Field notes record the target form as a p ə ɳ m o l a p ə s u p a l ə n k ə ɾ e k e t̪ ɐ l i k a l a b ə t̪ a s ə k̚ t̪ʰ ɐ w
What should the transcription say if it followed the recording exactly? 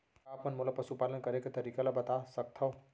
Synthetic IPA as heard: a p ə n m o l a p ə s u p a l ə n k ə ɾ e k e t̪ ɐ ɾ i k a l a b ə t̪ a s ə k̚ t̪ʰ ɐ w